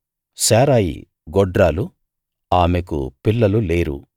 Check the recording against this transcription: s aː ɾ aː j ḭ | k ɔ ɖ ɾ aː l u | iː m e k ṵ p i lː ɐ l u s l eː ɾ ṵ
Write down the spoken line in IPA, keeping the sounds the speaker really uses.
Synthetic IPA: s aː ɾ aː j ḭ | ɡ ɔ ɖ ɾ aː l u | aː m e k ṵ p i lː ɐ l u l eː ɾ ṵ

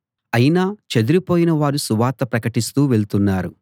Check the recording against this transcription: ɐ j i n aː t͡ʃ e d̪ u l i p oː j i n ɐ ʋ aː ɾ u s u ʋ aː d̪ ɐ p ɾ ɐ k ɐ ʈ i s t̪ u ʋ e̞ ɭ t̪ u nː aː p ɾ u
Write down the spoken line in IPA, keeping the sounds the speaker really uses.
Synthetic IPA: ɐ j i n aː t͡ʃ e d̪ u ɾ i p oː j i n ɐ ʋ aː ɾ u s u ʋ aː t̪ ɐ p ɾ ɐ k ɐ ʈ i s t̪ uː ʋ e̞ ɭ t̪ u nː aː ɾ u

